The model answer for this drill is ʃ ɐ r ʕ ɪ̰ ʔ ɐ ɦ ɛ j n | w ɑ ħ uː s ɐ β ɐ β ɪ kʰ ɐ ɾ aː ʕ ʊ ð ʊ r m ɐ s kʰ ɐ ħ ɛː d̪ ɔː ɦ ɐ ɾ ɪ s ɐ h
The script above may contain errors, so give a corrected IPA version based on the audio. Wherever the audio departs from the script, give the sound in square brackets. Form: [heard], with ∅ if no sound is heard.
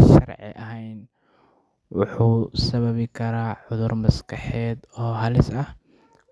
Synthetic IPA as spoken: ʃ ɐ r ʕ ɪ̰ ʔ ɐ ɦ ɛ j n | w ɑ ħ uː s ɐ β ɐ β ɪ kʰ ɐ ɾ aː ʕ ʊ ð ʊ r m ɐ s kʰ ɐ ħ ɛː d̪ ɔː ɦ ɐ [l] ɪ s ɐ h